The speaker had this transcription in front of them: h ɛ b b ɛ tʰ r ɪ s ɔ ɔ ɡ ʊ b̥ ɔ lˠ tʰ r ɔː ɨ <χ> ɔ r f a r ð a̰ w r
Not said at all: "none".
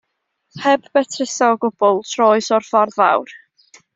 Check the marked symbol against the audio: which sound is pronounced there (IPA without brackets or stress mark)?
s